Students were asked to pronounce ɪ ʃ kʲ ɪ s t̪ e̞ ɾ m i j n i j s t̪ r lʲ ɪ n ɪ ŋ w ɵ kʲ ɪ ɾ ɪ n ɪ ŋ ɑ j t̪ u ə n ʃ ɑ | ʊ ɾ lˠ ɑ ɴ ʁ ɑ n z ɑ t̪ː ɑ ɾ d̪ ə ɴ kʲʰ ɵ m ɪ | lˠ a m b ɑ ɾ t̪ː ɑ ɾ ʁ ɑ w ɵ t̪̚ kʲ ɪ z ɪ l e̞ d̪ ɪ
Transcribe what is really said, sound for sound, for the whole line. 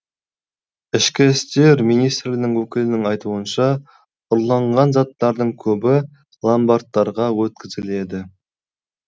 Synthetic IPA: ɪ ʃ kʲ ɪ s t̪ e̞ ɾ m i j n i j s t̪ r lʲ ɪ n ɪ ŋ w ɵ kʲ ɪ l ɪ n ɪ ŋ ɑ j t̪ u ə n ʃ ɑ | ʊ ɾ lˠ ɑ ɴ ʁ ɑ n z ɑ t̪ː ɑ ɾ d̪ ə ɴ kʲʰ ɵ b ɪ | lˠ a m b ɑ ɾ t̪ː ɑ ɾ ʁ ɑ w ɵ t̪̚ kʲ ɪ z ɪ l e̞ d̪ ɪ

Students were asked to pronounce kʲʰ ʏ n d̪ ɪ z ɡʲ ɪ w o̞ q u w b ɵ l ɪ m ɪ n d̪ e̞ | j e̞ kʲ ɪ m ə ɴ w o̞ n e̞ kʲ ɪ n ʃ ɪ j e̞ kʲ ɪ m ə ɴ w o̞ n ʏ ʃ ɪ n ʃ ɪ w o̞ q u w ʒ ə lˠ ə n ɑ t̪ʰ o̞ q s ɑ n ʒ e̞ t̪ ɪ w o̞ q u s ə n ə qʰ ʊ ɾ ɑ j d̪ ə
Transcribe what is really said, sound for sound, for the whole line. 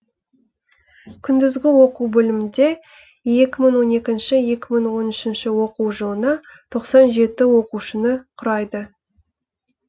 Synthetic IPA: kʲʰ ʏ n d̪ ɪ z ɡʲ ɪ w o̞ q u w b ɵ l ɪ m ɪ n d̪ e̞ | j e̞ kʲ ɪ m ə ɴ w o̞ n e̞ kʲ ɪ n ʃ ɪ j e̞ kʲ ɪ m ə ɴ w o̞ n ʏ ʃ ɪ n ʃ ɪ w o̞ q u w ʒ ə lˠ ə n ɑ t̪ʰ o̞ q s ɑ n ʒ e̞ t̪ ɪ w o̞ q u ʃ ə n ə qʰ ʊ ɾ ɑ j d̪ ə

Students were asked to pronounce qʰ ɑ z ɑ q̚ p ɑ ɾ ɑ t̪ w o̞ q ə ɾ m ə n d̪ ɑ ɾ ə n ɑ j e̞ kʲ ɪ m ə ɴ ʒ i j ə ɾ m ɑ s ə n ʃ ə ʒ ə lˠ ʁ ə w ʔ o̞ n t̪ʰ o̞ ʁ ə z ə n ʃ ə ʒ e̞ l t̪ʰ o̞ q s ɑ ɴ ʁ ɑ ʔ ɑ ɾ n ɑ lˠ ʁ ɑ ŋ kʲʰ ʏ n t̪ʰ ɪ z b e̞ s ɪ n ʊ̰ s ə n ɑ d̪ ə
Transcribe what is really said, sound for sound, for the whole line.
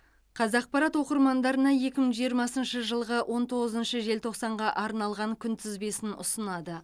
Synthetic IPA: qʰ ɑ z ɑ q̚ p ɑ ɾ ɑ t̪ w o̞ q ə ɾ m ɑ n d̪ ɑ ɾ ə n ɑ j e̞ kʲ ɪ m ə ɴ ʒ i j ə ɾ m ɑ s ə n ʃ ə ʒ ə lˠ ʁ ə w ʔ o̞ n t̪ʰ o̞ ʁ ə z ə n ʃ ə ʒ e̞ l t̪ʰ o̞ q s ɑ ɴ ʁ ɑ ʔ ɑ ɾ n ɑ lˠ ʁ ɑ ŋ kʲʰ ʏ n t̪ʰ ɪ z b e̞ s ɪ n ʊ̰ s ə n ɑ d̪ ə

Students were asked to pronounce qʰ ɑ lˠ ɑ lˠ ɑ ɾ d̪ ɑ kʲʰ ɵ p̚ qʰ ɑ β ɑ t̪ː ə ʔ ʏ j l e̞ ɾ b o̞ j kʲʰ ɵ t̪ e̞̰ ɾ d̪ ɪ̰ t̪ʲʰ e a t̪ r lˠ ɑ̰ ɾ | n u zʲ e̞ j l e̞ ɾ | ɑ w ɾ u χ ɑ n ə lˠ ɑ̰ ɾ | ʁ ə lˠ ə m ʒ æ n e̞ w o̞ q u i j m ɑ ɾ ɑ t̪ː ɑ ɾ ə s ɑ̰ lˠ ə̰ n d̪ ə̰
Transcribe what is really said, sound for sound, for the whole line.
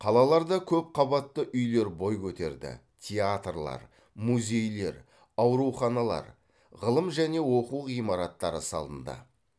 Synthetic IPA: qʰ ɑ lˠ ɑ lˠ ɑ ɾ d̪ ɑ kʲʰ ɵ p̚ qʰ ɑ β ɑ t̪ː ə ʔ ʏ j l e̞ ɾ b o̞ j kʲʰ ɵ t̪ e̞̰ ɾ d̪ ɪ̰ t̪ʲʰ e a t̪ r lˠ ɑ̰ ɾ | m u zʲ e̞ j l e̞ ɾ | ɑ w ɾ u χ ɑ n ɑ lˠ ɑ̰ ɾ | ʁ ə lˠ ə m ʒ æ n e̞ w o̞ q u i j m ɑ ɾ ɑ t̪ː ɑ ɾ ə s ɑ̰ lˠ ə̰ n d̪ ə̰

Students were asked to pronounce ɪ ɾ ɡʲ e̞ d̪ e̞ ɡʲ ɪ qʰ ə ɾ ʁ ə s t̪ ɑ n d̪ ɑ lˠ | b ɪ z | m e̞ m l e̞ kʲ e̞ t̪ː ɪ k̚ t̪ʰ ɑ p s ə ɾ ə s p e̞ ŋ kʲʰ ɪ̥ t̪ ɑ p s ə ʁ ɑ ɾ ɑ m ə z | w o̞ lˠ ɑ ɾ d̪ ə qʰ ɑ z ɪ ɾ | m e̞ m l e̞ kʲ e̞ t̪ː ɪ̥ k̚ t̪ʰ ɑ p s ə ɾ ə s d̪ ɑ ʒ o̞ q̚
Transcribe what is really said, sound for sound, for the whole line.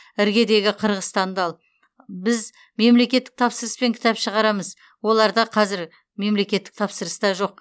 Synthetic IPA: ɪ ɾ ɡʲ e̞ d̪ e̞ ɡʲ ɪ qʰ ə ɾ ʁ ə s t̪ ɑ n d̪ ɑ lˠ | b ɪ z | m e̞ m l e̞ kʲ e̞ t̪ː ɪ k̚ t̪ʰ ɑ p s ə ɾ ə s p e̞ ŋ kʲʰ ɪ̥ t̪ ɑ p ʃ ə ʁ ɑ ɾ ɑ m ə z | w o̞ lˠ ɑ ɾ d̪ ɑ qʰ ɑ z ɪ ɾ | m e̞ m l e̞ kʲ e̞ t̪ː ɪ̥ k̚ t̪ʰ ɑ p s ə ɾ ə s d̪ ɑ ʒ o̞ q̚

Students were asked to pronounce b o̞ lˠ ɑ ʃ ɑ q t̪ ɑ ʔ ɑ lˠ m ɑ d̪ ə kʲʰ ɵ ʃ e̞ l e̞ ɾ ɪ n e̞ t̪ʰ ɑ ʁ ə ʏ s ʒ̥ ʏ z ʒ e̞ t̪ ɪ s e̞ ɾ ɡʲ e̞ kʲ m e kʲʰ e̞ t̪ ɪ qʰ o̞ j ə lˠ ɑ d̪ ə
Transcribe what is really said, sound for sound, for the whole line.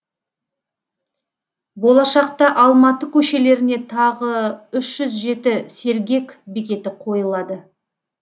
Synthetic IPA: b o̞ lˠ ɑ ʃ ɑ q t̪ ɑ ʔ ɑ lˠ m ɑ t̪ ə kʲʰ ɵ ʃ e̞ l e̞ ɾ ɪ n e̞ t̪ʰ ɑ ʁ ə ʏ ʃ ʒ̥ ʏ z ʒ e̞ t̪ ɪ s e̞ ɾ ɡʲ e̞ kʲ b e kʲ e̞ t̪ ɪ qʰ o̞ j ə lˠ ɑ d̪ ə

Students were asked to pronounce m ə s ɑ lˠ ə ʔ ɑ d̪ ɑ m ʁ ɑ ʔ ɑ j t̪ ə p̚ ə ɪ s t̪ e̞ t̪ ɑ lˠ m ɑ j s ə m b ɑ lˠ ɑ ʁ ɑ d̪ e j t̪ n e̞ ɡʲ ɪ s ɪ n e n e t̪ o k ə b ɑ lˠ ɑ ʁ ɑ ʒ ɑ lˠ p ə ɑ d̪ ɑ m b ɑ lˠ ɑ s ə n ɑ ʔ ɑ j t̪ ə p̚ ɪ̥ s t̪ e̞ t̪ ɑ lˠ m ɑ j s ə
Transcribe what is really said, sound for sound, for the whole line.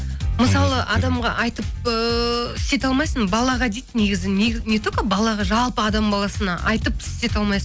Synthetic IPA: m ə s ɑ lˠ ə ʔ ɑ d̪ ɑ m ʁ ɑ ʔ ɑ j t̪ ə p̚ ə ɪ s t̪ e̞ t̪ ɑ lˠ m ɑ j s ə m b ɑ lˠ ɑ ʁ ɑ d̪ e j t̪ n e̞ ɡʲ ɪ z ɪ n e n e t̪ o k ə b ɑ lˠ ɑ ʁ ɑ ʒ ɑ lˠ p ə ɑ d̪ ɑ m b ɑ lˠ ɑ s ə n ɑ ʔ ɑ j t̪ ə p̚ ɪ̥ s t̪ e̞ t̪ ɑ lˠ m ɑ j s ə

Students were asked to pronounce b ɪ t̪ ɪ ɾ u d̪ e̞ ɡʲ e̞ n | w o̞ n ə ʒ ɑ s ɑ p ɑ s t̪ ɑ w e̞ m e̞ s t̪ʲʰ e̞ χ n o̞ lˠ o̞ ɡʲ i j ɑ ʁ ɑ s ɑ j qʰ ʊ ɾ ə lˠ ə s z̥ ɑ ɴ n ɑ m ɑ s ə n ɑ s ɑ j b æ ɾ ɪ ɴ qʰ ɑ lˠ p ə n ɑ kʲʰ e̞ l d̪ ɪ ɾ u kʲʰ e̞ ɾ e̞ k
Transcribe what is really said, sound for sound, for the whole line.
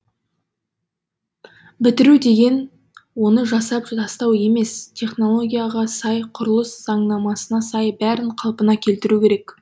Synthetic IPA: b ɪ t̪ ɪ ɾ u d̪ e̞ ɡʲ e̞ n | w o̞ n ə ʒ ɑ s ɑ p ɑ s t̪ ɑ w e̞ m e̞ s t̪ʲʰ e̞ χ n o̞ lˠ o̞ ɡʲ i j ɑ ʁ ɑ s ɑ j qʰ ʊ ɾ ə lˠ ə s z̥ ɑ ɴ n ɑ m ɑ s ə n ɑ s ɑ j b æ ɾ ɪ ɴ qʰ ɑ lˠ p ə n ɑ kʲʰ e̞ l t̪ ɪ ɾ u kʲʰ e̞ ɾ e̞ k

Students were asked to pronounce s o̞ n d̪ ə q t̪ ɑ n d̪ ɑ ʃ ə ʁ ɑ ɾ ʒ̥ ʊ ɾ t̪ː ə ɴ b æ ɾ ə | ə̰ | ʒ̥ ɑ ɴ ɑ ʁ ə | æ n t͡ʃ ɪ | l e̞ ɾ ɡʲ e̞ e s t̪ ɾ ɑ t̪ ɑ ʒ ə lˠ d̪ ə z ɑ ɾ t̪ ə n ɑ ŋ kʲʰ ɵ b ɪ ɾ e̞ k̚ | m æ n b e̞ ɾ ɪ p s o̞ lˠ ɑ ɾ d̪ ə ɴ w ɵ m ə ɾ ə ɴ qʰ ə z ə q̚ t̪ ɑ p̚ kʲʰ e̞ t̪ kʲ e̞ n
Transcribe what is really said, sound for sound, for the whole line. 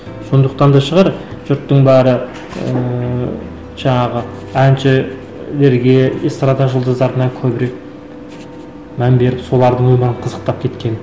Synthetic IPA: s o̞ n d̪ ə q t̪ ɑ n d̪ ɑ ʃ ə ʁ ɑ ɾ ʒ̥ ʊ ɾ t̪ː ə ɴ b æ ɾ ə | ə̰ | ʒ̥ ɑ ɴ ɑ ʁ ə | æ n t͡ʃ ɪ | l e̞ ɾ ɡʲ e̞ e s t̪ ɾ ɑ d̪ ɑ ʒ ə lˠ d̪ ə z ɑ ɾ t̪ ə n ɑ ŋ kʲʰ ɵ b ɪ ɾ e̞ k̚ | m æ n b e̞ ɾ ɪ p s o̞ lˠ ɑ ɾ d̪ ə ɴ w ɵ m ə ɾ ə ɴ qʰ ə z ə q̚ t̪ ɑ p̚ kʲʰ e̞ t̪ kʲ e̞ n

